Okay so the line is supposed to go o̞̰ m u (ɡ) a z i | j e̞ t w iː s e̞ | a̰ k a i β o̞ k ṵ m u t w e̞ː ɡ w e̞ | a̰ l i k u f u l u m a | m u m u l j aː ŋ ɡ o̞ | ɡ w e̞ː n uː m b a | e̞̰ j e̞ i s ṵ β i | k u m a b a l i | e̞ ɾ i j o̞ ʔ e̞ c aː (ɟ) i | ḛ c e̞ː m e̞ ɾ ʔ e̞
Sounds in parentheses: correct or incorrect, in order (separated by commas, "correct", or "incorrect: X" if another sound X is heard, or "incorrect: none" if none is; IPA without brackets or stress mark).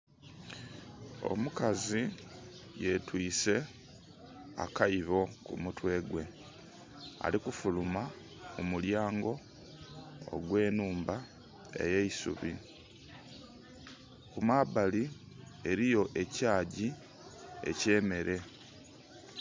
incorrect: k, correct